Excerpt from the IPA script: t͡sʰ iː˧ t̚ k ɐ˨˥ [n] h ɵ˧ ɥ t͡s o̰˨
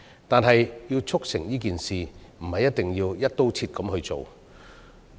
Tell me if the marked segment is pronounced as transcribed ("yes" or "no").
no